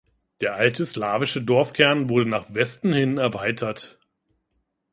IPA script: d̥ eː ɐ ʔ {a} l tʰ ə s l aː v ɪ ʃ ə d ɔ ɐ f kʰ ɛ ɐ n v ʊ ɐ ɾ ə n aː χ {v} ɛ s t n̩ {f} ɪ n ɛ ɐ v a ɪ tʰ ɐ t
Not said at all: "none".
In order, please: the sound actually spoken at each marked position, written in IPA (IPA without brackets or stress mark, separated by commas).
a, v, h